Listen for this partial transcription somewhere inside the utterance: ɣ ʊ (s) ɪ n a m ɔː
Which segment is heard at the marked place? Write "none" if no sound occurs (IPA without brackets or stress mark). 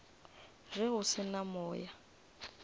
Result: s